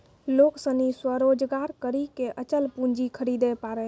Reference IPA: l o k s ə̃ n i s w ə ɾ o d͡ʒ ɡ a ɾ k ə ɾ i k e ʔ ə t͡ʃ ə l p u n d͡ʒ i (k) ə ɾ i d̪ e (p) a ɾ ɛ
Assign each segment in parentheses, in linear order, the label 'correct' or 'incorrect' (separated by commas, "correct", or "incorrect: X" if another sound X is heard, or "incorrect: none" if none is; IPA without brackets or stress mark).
incorrect: kʰ, correct